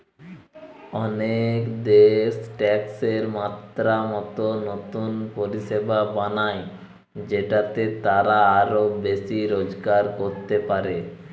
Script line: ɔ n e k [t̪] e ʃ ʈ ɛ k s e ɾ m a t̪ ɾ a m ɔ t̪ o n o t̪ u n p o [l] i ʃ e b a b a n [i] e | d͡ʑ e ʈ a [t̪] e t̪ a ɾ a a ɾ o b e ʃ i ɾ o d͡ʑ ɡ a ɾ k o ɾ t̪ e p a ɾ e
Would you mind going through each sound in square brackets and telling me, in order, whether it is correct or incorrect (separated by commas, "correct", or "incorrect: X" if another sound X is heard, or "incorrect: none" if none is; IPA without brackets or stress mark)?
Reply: incorrect: d̪, incorrect: ɾ, incorrect: a, correct